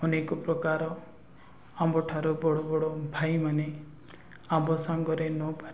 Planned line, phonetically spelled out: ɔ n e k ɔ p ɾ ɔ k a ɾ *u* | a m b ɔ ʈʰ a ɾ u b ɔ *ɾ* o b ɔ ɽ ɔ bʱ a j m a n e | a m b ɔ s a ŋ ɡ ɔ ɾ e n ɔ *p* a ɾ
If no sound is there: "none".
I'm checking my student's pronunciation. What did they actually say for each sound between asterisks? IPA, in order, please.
ɔ, ɽ, p

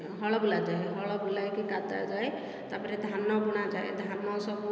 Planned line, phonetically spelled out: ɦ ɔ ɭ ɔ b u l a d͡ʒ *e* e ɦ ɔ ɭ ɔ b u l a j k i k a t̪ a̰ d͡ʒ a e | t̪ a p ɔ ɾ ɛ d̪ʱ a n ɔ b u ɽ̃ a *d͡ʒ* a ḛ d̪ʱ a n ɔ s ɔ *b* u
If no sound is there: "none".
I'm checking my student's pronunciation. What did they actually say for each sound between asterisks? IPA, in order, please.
a, d͡ʒ, b

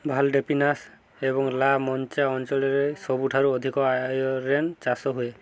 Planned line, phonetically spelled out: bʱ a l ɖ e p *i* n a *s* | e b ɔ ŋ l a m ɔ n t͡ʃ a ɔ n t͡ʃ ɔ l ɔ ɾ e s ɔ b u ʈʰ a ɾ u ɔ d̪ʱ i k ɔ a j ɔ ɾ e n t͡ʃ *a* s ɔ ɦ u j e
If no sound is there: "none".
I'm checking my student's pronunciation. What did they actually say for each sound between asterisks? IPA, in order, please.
i, s, a

